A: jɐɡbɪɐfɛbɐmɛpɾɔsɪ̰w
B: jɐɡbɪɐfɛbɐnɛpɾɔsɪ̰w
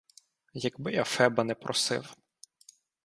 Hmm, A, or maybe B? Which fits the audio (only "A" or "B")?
B